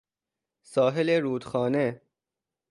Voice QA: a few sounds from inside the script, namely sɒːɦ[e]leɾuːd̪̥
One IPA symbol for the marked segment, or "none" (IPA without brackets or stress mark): e